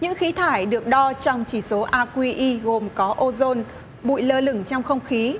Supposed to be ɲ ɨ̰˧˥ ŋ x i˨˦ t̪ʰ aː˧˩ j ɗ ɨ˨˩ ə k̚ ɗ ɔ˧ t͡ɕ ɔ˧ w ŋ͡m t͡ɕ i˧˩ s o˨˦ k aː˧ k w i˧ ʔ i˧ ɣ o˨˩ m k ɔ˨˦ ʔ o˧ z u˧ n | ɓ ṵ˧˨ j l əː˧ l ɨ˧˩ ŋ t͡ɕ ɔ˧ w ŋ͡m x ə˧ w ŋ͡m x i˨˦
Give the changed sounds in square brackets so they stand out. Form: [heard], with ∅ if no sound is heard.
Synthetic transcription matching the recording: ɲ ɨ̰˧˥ ŋ x i˨˦ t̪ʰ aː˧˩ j ɗ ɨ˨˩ ə k̚ ɗ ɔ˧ t͡ɕ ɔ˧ w ŋ͡m t͡ɕ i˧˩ s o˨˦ [ʔ] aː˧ k w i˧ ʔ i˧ ɣ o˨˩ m k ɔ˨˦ ʔ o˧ z [o˧] n | ɓ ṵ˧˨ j l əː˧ l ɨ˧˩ ŋ t͡ɕ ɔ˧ w ŋ͡m x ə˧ w ŋ͡m x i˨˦